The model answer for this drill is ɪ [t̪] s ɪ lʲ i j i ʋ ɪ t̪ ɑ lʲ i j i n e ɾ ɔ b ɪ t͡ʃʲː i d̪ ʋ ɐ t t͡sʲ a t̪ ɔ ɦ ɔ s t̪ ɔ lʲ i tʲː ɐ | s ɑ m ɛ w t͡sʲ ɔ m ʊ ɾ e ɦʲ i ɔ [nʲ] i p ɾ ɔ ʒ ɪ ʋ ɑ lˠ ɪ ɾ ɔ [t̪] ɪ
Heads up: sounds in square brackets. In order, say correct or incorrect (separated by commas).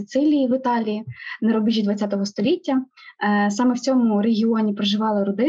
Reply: correct, correct, incorrect